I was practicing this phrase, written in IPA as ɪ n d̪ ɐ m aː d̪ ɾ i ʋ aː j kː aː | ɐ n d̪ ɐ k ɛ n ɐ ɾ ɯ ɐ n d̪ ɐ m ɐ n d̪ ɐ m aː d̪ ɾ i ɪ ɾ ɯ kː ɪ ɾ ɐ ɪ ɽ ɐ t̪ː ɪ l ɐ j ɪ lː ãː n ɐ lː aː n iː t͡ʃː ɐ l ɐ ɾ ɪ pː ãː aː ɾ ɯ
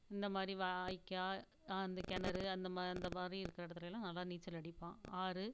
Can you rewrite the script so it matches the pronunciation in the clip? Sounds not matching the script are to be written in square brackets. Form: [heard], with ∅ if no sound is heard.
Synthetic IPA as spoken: ɪ n d̪ ɐ m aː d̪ ɾ i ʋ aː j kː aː | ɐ n d̪ ɐ k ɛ n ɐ ɾ ɯ ɐ n d̪ ɐ m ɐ n d̪ ɐ m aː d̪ ɾ i ɪ ɾ ɯ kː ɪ ɾ ɐ ɪ ɽ ɐ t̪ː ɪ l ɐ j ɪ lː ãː n ɐ lː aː n iː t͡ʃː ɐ l ɐ [ɽ] ɪ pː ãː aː ɾ ɯ